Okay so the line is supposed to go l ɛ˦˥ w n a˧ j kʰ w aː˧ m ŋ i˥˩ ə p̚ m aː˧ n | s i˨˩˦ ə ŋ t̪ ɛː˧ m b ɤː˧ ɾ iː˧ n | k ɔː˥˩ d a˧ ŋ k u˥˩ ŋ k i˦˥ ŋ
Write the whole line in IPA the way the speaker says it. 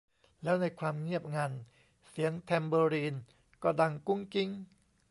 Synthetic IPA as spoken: l ɛː˦˥ w n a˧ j kʰ w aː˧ m ŋ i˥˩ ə p̚ ŋ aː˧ n | s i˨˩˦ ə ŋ t̪ʰ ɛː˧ m b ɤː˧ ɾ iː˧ n | k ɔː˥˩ d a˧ ŋ k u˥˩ ŋ k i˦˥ ŋ